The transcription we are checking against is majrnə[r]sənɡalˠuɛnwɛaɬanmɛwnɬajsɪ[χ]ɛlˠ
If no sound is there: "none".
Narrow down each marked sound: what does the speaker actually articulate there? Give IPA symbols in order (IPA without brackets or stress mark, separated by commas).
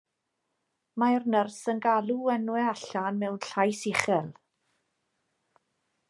r, χ